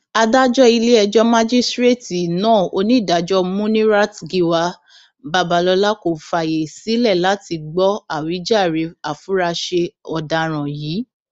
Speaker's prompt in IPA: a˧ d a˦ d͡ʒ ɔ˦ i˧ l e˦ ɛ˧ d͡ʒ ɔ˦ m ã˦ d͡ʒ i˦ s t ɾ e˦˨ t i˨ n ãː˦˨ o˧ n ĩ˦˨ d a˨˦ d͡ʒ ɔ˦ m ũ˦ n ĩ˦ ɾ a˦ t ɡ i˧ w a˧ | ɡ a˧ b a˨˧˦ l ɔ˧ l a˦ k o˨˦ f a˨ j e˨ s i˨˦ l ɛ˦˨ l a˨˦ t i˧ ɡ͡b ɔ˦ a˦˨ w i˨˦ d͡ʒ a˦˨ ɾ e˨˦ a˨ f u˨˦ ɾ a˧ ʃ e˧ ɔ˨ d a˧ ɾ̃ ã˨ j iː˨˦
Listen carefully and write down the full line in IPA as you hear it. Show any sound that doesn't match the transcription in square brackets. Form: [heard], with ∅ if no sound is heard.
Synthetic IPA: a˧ d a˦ d͡ʒ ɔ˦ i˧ l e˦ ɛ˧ d͡ʒ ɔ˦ m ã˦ d͡ʒ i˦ s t ɾ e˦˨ t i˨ n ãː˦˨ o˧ n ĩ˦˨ d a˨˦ d͡ʒ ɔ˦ m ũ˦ n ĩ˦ ɾ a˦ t ɡ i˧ w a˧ | [b] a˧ b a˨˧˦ l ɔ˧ l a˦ k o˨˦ f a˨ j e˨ s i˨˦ l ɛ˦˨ l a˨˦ t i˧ ɡ͡b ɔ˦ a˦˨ w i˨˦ d͡ʒ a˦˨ ɾ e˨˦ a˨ f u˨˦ ɾ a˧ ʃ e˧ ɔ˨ d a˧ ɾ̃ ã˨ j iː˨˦